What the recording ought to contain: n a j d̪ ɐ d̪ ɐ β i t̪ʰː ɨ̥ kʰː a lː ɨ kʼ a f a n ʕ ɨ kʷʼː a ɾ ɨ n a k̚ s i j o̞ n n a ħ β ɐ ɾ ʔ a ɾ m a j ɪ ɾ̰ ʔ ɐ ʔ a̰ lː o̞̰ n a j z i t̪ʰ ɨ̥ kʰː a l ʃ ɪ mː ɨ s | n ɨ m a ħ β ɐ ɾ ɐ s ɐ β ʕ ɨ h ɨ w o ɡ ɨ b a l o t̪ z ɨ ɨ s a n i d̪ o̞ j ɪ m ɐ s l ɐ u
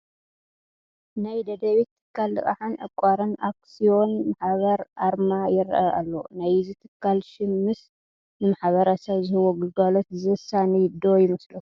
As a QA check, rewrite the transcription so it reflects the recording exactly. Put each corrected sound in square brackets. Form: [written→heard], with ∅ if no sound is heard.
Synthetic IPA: n a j d̪ ɐ d̪ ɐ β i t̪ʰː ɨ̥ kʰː a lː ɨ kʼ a [f→ħ] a n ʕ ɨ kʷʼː a ɾ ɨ n a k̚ s i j o̞ n [n→m] a ħ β ɐ ɾ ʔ a ɾ m a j ɪ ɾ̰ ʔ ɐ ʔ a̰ lː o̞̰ n a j z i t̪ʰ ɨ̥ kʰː a l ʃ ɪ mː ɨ s | n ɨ m a ħ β ɐ ɾ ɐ s ɐ β [ʕ→z] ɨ h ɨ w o ɡ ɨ [b→ɡ] a l o t̪ z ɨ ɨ s a n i d̪ o̞ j ɪ m ɐ s l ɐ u